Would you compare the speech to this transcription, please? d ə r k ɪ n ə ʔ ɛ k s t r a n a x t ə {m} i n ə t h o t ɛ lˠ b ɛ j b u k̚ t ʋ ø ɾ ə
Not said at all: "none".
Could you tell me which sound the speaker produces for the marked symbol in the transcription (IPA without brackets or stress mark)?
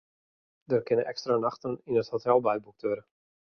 n